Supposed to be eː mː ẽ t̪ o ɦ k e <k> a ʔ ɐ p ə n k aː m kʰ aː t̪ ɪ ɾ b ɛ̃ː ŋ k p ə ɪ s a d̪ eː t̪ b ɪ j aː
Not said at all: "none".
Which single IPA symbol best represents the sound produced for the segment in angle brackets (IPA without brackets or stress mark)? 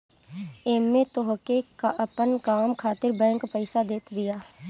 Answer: k